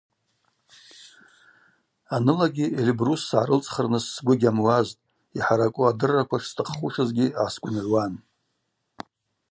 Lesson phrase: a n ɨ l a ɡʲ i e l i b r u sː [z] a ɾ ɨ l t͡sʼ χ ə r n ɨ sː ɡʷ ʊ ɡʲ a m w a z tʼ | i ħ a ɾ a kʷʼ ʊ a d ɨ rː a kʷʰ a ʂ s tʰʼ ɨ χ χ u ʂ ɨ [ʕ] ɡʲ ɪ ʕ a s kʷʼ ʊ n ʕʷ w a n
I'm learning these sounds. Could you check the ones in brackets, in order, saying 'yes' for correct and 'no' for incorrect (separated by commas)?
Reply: no, no